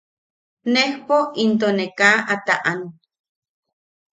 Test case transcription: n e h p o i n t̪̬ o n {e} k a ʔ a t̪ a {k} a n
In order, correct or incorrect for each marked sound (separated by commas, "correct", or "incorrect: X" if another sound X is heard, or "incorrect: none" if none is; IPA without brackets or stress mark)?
correct, incorrect: ʔ